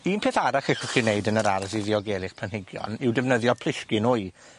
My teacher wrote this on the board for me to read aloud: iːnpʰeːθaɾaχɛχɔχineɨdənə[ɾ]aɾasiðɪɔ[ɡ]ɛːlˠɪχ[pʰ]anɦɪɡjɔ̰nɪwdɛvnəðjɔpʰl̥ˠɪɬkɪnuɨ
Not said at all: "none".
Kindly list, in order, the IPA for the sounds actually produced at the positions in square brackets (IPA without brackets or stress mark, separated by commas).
ɾ, ɡ, pʰ